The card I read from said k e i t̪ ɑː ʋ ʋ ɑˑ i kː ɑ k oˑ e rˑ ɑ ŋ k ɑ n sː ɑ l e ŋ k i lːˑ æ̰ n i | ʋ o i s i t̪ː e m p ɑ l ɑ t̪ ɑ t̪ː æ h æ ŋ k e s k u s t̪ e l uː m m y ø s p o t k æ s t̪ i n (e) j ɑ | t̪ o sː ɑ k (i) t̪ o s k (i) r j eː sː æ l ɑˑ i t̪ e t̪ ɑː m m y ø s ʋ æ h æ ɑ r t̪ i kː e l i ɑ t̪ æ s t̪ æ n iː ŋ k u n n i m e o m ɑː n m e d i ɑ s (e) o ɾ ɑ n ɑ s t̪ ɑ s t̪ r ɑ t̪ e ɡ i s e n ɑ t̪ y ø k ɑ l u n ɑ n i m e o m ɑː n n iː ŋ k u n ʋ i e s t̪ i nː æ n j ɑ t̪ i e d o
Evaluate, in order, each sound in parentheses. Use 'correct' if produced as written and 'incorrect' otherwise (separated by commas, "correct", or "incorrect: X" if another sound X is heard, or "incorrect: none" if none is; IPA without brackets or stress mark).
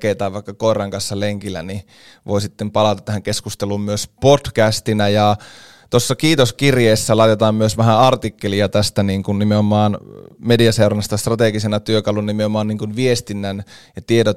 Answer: incorrect: æ, incorrect: iː, correct, correct